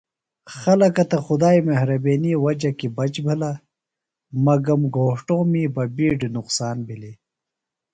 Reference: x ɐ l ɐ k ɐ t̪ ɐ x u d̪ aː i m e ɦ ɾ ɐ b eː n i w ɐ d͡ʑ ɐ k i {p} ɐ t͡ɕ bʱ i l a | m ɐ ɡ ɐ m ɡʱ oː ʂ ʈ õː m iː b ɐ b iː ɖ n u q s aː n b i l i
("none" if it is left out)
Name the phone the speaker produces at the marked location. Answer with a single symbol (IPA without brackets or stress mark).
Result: b